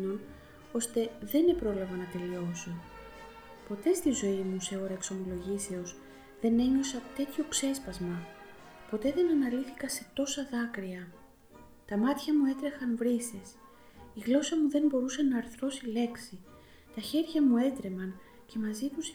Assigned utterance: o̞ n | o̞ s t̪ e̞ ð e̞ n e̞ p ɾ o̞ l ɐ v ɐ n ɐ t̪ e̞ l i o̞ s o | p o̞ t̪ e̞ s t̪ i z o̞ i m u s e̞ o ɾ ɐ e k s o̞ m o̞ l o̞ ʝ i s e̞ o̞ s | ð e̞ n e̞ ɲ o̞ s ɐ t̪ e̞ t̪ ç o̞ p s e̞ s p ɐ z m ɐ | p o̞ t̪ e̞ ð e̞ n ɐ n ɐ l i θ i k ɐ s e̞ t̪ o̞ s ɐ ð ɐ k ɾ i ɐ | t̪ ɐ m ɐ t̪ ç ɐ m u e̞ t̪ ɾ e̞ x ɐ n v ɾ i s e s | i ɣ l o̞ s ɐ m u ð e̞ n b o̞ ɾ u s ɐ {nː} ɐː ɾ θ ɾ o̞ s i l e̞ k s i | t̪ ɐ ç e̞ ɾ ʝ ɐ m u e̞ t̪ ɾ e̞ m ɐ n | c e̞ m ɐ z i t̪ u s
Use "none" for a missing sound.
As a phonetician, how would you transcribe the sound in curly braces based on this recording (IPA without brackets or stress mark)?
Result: n